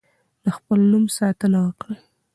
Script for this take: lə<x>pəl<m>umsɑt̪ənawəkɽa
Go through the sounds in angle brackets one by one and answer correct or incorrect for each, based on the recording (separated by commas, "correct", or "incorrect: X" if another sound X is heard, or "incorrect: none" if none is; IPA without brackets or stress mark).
correct, incorrect: n